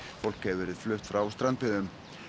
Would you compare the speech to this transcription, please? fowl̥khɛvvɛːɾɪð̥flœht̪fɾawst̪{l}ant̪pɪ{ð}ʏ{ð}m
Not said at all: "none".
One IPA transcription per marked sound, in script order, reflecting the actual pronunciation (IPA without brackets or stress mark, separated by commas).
ɾ, ð, none